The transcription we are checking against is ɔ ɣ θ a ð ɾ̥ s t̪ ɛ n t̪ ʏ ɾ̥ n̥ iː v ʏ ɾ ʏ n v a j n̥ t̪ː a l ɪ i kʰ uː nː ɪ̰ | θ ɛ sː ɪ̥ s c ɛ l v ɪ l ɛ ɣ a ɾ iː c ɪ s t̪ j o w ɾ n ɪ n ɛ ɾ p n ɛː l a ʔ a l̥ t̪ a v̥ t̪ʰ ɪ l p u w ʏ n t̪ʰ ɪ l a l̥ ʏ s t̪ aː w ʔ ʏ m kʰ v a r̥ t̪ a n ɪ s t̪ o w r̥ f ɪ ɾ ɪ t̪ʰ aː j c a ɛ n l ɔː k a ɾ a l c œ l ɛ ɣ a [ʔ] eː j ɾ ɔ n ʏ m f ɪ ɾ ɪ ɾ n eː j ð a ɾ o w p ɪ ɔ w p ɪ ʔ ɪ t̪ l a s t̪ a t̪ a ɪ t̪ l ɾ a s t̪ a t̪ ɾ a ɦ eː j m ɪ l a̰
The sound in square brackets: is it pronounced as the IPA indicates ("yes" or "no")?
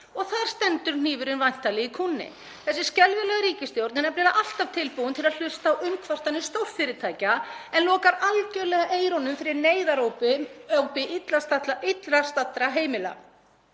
yes